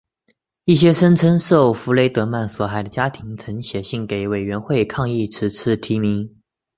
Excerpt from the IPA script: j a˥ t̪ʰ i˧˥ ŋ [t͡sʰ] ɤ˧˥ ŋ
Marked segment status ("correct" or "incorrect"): correct